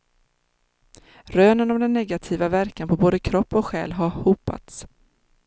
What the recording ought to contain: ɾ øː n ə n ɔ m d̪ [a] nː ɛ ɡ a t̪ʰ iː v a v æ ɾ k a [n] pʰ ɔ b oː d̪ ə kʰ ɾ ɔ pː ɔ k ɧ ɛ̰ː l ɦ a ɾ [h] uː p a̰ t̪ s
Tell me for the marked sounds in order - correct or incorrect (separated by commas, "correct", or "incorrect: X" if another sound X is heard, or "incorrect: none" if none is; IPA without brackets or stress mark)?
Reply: incorrect: ɛ, correct, correct